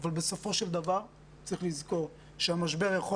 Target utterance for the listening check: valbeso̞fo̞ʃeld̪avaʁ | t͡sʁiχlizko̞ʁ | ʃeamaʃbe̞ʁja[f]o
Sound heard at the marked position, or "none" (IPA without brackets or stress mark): χ